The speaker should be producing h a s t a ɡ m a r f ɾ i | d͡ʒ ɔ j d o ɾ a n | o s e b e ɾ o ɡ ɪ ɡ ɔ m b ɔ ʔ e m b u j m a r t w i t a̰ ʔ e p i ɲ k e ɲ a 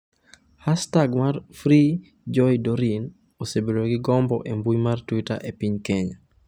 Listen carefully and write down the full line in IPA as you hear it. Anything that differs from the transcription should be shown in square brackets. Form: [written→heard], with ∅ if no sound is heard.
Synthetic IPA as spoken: h a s t a ɡ m a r f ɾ i | d͡ʒ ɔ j d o ɾ [a→i] n | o s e b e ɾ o ɡ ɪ ɡ ɔ m b ɔ ʔ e m b u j m a r t w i t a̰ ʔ e p i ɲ k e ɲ a